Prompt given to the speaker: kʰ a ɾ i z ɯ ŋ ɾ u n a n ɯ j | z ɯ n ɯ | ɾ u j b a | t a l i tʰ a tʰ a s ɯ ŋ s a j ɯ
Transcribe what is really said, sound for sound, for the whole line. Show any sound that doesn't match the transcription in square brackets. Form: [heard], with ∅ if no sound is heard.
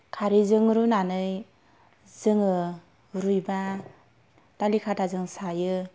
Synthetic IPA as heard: kʰ a ɾ i z ɯ ŋ ɾ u n a n ɯ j | z ɯ [ŋ] ɯ | ɾ u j b a | t a l i [kʰ] a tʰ a [z] ɯ ŋ s a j ɯ